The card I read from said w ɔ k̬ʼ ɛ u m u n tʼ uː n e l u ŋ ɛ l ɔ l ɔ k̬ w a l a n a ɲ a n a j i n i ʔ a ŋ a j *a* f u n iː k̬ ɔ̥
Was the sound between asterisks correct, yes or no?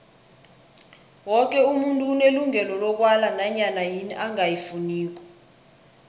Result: no